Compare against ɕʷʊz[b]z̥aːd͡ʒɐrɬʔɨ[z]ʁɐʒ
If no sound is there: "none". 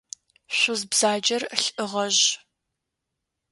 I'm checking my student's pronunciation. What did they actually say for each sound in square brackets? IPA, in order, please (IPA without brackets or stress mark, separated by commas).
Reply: b, none